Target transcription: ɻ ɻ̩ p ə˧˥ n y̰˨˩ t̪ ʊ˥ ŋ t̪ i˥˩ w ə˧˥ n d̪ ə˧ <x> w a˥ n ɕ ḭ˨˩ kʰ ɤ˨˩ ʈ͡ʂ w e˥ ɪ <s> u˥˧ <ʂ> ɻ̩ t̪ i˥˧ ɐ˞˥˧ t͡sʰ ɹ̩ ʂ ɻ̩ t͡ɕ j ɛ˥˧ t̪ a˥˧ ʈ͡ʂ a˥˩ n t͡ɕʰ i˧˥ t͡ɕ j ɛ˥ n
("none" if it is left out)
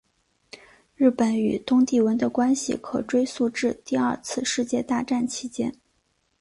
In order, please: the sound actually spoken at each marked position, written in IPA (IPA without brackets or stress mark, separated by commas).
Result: k, s, ʈ͡ʂ